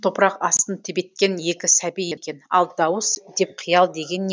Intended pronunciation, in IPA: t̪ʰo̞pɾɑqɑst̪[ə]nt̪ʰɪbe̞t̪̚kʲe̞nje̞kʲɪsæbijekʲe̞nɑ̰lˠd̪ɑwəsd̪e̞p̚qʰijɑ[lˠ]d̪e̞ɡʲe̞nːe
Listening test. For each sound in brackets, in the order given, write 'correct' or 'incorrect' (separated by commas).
correct, correct